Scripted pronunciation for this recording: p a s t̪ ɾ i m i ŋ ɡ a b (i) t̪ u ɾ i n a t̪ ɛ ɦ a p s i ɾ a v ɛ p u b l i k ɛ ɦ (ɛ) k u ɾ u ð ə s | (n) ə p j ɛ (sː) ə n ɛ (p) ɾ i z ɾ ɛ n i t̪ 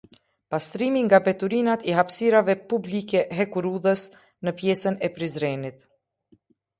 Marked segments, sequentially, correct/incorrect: incorrect, correct, correct, incorrect, correct

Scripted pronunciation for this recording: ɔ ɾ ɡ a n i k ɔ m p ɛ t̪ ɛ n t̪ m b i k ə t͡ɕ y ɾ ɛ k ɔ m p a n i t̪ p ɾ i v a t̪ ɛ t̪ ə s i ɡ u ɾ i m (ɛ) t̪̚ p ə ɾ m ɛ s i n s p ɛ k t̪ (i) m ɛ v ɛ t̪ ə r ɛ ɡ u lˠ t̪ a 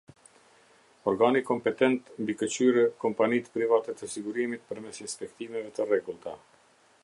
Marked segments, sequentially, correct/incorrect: incorrect, correct

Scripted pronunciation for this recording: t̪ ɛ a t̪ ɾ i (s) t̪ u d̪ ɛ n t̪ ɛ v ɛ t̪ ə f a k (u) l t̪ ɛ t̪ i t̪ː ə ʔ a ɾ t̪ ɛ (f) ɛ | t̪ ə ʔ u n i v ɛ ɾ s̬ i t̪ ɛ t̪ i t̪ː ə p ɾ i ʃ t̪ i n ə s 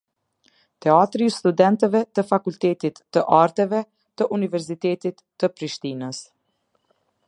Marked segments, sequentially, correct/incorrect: correct, correct, incorrect

